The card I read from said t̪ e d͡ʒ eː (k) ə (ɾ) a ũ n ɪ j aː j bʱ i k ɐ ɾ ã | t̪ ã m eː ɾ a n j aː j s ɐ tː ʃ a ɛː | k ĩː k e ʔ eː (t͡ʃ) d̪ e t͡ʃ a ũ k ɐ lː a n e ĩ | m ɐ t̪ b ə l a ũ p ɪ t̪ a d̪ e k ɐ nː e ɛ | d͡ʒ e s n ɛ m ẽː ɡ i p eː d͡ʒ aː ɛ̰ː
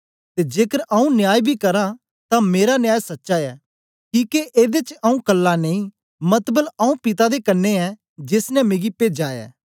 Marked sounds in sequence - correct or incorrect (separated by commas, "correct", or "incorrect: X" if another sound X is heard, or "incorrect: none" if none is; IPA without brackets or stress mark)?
correct, correct, incorrect: none